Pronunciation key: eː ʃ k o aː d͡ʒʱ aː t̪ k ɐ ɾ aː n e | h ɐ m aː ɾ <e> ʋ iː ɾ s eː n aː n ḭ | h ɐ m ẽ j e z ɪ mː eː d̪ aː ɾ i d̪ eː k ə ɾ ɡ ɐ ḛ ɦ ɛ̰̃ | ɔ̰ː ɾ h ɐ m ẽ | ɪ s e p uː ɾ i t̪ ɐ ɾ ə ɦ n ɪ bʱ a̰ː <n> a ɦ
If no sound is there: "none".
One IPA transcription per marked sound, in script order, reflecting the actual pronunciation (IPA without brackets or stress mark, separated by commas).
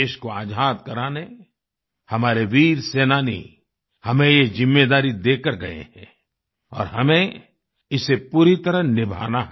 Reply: e, n